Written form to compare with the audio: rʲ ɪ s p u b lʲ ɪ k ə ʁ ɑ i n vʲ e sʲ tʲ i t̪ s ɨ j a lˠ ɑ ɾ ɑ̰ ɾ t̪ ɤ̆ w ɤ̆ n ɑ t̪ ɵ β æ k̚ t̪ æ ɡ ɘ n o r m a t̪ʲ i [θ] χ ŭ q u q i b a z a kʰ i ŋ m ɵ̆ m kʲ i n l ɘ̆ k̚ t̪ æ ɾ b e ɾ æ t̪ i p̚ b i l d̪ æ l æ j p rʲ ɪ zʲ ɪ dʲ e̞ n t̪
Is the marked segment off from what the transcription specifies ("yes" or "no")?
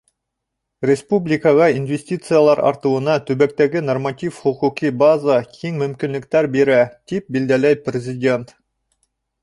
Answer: yes